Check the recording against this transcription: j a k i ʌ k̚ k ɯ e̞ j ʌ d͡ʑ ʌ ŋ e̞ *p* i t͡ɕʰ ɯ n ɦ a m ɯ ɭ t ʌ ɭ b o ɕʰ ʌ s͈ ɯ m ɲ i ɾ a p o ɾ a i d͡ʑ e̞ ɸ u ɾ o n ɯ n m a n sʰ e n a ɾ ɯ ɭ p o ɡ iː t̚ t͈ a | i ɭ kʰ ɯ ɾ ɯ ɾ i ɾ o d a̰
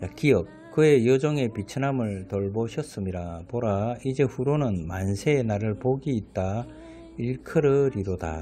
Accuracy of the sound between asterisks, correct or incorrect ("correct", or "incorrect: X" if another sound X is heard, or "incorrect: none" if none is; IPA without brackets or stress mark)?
correct